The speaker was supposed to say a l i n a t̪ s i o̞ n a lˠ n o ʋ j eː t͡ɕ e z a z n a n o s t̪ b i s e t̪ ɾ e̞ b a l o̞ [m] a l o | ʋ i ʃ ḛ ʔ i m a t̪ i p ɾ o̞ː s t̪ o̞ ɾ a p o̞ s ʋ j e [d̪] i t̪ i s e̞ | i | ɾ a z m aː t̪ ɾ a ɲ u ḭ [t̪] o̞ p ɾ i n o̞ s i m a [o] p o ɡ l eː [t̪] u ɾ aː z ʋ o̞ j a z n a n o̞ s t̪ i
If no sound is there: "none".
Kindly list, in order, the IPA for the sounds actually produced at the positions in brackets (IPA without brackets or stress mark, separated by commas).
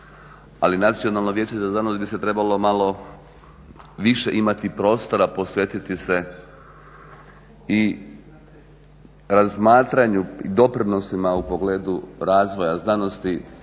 m, t̪, d̪, u, d̪